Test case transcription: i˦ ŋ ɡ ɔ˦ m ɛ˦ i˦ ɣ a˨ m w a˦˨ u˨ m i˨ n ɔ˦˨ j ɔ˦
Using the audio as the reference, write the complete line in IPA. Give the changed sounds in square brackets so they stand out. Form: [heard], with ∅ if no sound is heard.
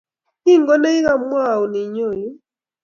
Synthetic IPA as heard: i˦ ŋ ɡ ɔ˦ [n] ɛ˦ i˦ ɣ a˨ m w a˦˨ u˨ [n] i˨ [ɲ] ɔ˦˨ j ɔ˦